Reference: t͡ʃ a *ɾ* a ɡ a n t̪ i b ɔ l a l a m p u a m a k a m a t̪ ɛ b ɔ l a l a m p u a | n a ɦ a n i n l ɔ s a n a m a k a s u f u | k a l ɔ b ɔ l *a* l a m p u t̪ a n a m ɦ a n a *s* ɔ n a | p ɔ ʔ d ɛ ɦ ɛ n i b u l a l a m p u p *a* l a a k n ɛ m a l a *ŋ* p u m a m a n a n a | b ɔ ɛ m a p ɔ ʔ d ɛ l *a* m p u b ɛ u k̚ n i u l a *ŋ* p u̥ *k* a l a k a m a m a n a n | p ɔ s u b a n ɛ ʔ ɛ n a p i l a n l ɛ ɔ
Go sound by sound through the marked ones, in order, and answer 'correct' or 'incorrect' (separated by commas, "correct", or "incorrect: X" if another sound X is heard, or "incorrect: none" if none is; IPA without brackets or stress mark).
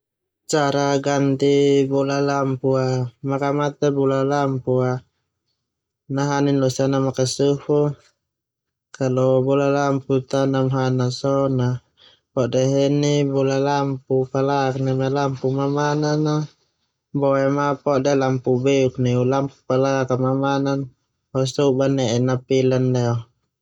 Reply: correct, correct, correct, correct, incorrect: m, correct, incorrect: m, incorrect: p